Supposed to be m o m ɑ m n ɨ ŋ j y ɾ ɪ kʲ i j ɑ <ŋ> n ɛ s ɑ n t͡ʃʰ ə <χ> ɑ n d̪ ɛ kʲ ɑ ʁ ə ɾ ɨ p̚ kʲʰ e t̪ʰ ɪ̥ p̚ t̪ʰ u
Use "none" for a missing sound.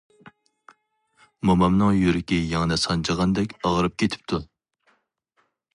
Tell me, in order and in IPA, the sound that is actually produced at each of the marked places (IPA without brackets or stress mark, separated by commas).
ŋ, ʁ